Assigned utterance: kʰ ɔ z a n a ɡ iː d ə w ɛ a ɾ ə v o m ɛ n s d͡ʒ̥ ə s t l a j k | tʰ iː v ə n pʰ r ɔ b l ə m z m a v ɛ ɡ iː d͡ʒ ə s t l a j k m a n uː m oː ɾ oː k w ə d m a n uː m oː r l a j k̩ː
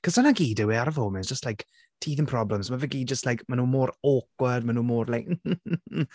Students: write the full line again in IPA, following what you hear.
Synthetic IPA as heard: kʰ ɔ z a n a ɡ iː d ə w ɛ a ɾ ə v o m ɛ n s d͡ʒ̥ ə s t l a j k | tʰ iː ð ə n pʰ r ɔ b l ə m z m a v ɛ ɡ iː d͡ʒ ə s t l a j k m a n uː m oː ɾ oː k w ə d m a n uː m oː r l a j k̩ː